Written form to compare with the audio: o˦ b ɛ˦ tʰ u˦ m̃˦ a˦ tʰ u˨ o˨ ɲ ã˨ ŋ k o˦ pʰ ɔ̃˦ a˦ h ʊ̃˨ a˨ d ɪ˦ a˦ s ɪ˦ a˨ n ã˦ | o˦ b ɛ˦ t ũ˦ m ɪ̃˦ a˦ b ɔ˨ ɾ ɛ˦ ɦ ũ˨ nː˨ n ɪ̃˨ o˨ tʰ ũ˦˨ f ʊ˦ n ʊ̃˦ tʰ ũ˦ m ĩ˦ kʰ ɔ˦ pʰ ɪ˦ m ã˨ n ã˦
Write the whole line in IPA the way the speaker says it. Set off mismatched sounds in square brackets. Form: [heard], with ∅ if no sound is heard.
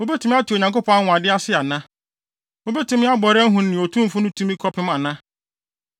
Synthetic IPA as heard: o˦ b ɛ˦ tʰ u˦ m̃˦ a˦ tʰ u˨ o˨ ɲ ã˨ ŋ k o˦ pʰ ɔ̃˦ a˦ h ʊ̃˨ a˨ d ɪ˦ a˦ s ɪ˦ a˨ n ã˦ | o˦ b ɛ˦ t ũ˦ m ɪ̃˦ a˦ b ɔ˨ ɾ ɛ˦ ɦ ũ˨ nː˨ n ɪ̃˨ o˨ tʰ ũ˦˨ f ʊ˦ n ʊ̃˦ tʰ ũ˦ m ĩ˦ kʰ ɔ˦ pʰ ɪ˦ m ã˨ n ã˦